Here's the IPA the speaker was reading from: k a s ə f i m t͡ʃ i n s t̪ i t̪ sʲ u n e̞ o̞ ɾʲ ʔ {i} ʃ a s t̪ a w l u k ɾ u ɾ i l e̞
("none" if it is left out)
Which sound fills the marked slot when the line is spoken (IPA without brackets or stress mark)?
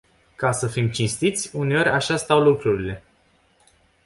a